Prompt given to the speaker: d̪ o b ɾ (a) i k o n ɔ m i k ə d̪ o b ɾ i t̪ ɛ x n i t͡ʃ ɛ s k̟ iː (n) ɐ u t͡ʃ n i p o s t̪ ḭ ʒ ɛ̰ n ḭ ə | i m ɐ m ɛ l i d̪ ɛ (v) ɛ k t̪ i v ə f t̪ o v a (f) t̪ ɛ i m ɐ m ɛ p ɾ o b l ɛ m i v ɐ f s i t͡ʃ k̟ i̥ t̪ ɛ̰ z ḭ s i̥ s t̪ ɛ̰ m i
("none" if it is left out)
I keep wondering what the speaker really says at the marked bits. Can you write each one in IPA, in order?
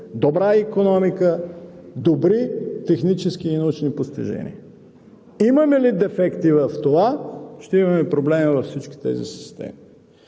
a, n, f, ʃ

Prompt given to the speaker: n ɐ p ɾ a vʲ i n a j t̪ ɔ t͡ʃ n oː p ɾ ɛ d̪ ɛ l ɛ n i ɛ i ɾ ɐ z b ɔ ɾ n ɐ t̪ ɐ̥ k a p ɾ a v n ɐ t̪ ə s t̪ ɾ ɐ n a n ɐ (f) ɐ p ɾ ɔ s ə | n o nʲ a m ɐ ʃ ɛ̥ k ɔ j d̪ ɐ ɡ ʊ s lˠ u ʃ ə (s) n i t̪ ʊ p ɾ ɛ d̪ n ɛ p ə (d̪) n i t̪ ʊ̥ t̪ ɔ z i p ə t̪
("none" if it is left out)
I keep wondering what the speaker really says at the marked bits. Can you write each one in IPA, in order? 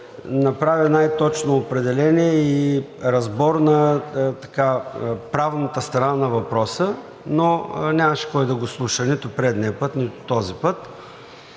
v, none, t̪

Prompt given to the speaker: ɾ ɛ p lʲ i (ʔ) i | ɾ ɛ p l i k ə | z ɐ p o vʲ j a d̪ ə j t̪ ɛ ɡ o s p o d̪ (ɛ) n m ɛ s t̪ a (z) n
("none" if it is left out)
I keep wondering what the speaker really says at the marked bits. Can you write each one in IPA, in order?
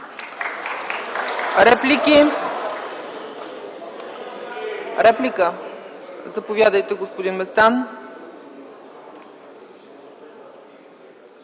k, i, none

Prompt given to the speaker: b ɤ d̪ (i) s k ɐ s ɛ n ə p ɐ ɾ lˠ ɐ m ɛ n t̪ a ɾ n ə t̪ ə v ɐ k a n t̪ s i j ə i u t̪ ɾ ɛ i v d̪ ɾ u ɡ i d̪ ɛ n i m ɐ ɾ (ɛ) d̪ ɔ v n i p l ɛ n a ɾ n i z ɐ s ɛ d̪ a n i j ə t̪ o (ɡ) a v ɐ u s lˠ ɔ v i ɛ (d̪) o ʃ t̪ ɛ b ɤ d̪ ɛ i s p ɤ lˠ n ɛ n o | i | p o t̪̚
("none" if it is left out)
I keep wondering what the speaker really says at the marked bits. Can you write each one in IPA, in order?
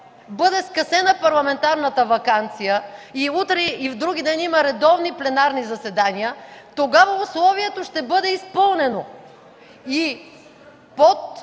ɛ, ɛ, ɡ, t̪

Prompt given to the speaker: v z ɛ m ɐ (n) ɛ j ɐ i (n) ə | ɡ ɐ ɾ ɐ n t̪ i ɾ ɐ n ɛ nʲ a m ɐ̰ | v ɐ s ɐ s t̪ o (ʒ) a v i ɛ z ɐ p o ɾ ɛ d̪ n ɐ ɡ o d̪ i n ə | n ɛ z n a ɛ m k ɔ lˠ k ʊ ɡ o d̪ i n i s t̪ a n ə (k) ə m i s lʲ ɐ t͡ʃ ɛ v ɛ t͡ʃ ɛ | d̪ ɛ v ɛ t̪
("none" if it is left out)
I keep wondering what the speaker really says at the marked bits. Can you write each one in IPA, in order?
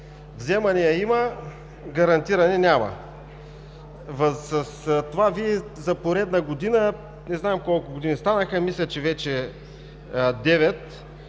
n, m, v, x

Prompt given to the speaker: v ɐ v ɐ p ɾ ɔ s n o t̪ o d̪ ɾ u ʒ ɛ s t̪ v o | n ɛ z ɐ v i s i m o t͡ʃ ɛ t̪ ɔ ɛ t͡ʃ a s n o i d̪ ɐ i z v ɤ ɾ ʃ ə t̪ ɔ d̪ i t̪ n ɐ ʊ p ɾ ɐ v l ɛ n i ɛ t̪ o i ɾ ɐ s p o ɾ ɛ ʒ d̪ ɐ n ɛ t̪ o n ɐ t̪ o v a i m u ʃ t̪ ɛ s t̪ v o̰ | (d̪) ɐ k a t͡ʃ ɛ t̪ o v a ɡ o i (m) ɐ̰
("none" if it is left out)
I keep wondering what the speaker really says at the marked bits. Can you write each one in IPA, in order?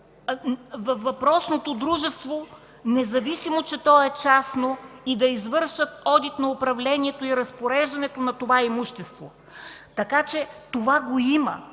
t̪, m

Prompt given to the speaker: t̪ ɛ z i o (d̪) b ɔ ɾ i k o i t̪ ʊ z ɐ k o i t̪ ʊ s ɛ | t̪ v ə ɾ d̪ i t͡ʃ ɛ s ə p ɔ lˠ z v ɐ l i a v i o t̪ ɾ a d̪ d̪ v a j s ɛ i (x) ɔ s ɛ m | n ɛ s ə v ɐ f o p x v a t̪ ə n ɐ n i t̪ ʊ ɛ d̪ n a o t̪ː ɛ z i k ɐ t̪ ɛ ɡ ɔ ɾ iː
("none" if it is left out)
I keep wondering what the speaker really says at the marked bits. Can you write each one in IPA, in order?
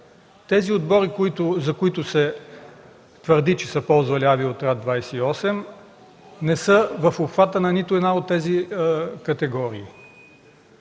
d̪, none

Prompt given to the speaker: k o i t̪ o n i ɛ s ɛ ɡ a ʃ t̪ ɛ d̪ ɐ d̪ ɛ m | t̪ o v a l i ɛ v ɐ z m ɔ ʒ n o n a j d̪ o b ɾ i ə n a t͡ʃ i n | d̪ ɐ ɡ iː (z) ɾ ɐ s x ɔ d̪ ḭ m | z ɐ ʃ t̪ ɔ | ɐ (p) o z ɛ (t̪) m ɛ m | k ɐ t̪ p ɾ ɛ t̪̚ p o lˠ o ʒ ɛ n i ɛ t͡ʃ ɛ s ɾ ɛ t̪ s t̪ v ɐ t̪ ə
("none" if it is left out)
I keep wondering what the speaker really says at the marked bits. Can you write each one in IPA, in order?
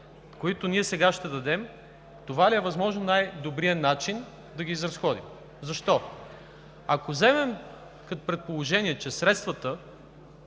z, k, none

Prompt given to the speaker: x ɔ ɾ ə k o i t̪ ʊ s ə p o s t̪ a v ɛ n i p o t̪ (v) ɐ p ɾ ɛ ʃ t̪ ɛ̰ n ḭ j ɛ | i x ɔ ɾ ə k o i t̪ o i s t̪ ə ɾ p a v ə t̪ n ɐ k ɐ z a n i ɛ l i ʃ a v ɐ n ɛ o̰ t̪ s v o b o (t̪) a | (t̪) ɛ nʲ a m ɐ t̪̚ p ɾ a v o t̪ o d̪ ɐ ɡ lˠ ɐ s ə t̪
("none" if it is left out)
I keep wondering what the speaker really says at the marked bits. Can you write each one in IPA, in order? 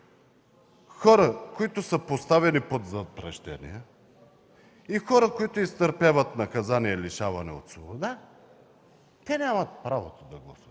z, d̪, t̪

